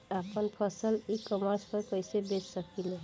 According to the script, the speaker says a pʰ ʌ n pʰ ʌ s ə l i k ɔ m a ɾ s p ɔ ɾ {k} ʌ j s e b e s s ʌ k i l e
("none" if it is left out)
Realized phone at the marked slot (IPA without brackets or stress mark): k